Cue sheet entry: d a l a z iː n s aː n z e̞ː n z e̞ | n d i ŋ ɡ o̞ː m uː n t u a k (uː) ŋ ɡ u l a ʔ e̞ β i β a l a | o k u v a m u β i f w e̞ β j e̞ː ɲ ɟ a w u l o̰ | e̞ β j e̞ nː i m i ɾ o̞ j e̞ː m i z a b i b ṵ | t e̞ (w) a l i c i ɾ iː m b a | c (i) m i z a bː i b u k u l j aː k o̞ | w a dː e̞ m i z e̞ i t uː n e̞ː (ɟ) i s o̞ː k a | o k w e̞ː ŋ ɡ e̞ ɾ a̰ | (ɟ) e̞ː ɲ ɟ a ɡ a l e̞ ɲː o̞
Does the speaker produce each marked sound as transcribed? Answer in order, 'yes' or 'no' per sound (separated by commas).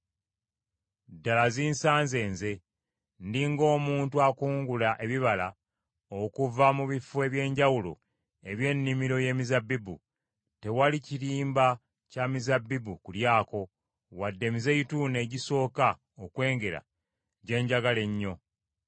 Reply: yes, yes, no, yes, yes